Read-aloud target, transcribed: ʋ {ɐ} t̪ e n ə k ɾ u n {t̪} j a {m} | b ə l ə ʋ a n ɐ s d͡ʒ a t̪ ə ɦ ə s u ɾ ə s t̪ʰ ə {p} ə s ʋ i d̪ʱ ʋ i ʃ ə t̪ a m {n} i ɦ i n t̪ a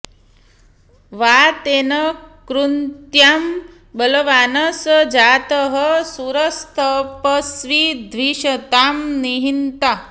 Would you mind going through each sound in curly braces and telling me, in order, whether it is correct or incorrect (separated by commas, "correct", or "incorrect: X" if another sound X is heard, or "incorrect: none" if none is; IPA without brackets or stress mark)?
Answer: incorrect: a, correct, correct, correct, correct